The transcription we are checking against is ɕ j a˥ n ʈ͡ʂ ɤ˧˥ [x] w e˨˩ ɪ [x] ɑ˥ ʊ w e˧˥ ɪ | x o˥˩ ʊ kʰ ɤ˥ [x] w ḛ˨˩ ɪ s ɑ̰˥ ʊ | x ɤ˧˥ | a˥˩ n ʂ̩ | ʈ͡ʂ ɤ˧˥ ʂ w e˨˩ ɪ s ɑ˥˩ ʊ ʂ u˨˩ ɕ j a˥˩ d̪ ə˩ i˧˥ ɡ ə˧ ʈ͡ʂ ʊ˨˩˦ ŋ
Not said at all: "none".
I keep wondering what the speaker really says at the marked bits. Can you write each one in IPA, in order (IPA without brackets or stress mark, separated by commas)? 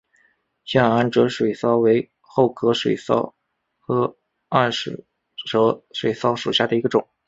ʂ, s, ʂ